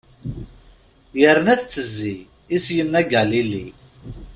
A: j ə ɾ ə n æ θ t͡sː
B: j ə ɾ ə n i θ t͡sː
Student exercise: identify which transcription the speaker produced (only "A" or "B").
A